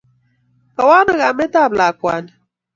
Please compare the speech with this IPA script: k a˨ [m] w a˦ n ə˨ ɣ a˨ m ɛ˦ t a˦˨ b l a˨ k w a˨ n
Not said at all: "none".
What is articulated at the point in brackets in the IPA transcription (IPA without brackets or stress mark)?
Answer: none